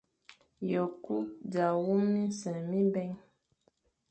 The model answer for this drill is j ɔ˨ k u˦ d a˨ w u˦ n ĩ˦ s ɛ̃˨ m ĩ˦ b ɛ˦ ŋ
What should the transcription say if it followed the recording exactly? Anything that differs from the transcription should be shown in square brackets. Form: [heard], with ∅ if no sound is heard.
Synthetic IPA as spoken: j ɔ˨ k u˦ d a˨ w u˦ [m] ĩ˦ s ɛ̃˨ m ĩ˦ b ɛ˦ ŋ